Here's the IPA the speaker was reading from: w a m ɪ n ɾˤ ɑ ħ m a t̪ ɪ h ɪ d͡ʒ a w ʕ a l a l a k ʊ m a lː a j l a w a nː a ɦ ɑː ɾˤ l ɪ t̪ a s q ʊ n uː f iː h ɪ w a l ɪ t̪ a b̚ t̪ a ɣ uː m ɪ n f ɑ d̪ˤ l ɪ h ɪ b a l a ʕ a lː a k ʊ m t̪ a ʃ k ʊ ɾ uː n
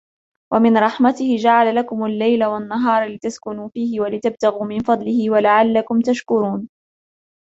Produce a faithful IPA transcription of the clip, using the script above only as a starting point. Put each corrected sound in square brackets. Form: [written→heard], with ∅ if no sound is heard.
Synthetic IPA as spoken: w a m ɪ n ɾˤ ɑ ħ m a t̪ ɪ h ɪ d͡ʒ a [w→∅] ʕ a l a l a k ʊ m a lː a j l a w a nː a ɦ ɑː ɾˤ l ɪ t̪ a s [q→k] ʊ n uː f iː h ɪ w a l ɪ t̪ a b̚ t̪ a ɣ uː m ɪ n f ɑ d̪ˤ l ɪ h ɪ [b→w] a l a ʕ a lː a k ʊ m t̪ a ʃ k ʊ ɾ uː n

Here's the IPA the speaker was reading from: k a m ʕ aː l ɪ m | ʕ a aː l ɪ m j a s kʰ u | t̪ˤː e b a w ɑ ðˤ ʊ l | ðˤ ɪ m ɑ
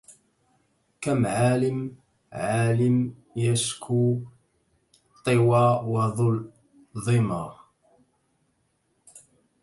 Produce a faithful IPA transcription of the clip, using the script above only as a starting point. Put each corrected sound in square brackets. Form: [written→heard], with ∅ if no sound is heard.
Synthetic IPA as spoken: k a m ʕ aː l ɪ m | ʕ a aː l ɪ m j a s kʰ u | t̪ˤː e [b→w] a w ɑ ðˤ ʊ l | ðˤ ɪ m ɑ

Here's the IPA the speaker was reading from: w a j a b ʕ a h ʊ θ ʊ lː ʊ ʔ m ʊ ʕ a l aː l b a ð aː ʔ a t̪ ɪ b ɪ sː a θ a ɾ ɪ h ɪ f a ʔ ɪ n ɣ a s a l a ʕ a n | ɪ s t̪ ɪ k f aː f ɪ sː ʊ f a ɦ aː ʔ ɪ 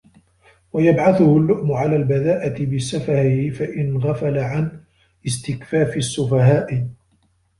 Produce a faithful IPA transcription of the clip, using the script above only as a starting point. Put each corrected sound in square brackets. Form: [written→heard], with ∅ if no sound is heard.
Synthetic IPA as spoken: w a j a b ʕ a [h→θ] ʊ [θ→h] ʊ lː ʊ ʔ m ʊ ʕ a l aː l b a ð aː ʔ a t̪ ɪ b ɪ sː a [θ→f] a ɾ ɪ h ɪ f a ʔ ɪ n ɣ a [s→f] a l a ʕ a n | ɪ s t̪ ɪ k f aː f ɪ sː ʊ f a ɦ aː ʔ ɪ

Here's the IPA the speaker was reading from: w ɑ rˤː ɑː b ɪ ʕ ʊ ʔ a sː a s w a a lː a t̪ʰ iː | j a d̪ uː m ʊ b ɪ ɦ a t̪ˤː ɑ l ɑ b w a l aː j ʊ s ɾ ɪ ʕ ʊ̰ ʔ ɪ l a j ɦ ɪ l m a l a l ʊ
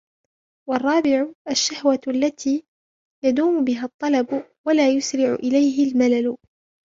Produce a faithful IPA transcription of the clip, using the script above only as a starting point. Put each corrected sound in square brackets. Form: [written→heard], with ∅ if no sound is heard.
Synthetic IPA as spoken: w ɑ rˤː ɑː b ɪ ʕ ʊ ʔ a [sː→ʃː] a [s→h] w a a lː a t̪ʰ iː | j a d̪ uː m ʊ b ɪ ɦ a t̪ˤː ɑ l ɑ b w a l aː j ʊ s ɾ ɪ ʕ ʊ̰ ʔ ɪ l a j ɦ ɪ l m a l a l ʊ

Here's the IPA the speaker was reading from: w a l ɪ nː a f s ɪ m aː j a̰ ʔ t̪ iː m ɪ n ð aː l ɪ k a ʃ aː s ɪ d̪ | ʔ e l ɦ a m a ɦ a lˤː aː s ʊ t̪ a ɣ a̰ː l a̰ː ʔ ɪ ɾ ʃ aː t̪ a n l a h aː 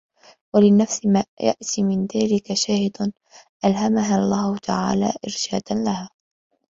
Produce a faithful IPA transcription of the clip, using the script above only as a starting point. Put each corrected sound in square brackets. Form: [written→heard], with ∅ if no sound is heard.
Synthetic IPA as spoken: w a l ɪ nː a f s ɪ m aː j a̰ ʔ t̪ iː m ɪ n ð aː l ɪ k a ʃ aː [s→h] ɪ d̪ | ʔ [e→a] l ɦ a m a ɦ a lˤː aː [s→h] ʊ t̪ a [ɣ→ʕ] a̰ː l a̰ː ʔ ɪ ɾ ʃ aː [t̪→d̪] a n l a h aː

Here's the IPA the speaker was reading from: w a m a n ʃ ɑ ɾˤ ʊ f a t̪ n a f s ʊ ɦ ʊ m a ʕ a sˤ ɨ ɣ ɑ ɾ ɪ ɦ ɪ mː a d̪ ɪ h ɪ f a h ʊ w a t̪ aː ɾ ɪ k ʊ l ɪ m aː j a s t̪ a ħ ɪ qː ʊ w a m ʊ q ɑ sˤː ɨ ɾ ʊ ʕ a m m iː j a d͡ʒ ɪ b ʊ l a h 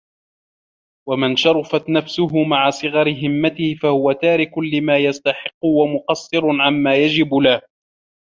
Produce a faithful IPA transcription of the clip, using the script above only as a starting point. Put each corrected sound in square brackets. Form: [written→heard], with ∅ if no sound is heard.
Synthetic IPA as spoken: w a m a n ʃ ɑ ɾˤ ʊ f a t̪ n a f s ʊ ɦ ʊ m a ʕ a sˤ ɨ ɣ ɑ ɾ ɪ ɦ ɪ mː a [d̪→t̪] ɪ h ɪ f a h ʊ w a t̪ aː ɾ ɪ k ʊ l ɪ m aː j a s t̪ a ħ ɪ qː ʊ w a m ʊ q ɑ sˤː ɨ ɾ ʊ ʕ a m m [iː→aː] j a d͡ʒ ɪ b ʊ l a h

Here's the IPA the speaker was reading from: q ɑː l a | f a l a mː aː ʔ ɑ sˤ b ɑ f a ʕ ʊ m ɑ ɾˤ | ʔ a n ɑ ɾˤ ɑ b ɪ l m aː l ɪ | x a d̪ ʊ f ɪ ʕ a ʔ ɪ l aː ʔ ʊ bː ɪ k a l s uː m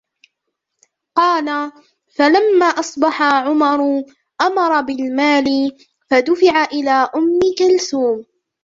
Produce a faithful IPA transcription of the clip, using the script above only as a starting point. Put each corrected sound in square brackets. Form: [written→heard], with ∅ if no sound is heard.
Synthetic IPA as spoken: q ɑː l a | f a l a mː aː ʔ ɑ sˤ b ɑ [f→ħ] a ʕ ʊ m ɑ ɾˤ | ʔ a [n→m] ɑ ɾˤ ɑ b ɪ l m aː l ɪ | [x→f] a d̪ ʊ f ɪ ʕ a ʔ ɪ l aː ʔ ʊ [bː→mː] ɪ k a l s uː m

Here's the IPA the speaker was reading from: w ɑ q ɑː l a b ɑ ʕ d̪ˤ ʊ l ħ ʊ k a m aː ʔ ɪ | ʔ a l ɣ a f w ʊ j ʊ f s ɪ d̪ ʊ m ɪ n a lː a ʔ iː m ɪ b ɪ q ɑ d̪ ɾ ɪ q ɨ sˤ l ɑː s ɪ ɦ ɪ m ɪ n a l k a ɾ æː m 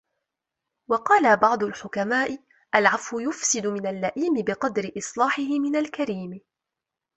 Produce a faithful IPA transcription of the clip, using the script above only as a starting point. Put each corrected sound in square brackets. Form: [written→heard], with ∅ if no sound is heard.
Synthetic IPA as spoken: w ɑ q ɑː l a b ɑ ʕ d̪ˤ ʊ l ħ ʊ k a m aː ʔ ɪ | ʔ a l [ɣ→ʕ] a f w ʊ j ʊ f s ɪ d̪ ʊ m ɪ n a lː a ʔ iː m ɪ b ɪ q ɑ d̪ ɾ ɪ [q→ʔ] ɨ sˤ l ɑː [s→ħ] ɪ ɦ ɪ m ɪ n a l k a ɾ [æː→iː] m

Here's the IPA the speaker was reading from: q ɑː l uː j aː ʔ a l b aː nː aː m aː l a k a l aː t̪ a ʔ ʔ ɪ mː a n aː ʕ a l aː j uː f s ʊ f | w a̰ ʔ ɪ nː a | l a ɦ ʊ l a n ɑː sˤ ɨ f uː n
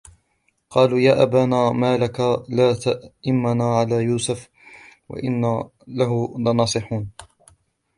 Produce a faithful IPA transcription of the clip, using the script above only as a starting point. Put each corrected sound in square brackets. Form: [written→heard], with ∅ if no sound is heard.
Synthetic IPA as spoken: q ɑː l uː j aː ʔ a [l→∅] b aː [nː→n] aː m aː l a k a l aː t̪ a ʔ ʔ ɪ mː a n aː ʕ a l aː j uː [f→∅] s ʊ f | w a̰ ʔ ɪ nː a | l a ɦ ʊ l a n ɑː sˤ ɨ [f→ħ] uː n

